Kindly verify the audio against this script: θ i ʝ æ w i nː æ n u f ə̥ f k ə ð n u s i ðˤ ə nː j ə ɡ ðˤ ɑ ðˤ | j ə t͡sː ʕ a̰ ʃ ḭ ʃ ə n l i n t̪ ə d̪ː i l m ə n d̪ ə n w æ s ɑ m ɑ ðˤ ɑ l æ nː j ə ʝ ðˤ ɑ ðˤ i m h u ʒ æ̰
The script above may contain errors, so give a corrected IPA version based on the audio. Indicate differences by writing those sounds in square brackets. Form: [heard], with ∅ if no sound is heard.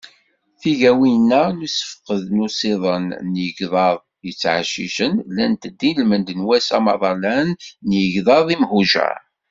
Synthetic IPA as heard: θ i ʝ æ w i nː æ n u [s] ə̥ f [q] ə ð n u s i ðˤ ə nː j ə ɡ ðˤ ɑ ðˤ | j ə t͡sː ʕ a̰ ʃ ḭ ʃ ə n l [æ] n t̪ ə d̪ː i l m ə n d̪ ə n w æ s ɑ m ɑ ðˤ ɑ l æ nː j ə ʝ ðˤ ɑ ðˤ i m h u ʒ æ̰